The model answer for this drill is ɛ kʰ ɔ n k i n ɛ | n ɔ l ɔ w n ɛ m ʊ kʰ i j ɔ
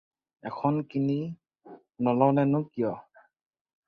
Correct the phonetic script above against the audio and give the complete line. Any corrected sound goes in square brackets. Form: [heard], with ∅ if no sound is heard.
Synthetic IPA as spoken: ɛ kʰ ɔ n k i n [i] | n ɔ l ɔ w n ɛ [n] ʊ [k] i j ɔ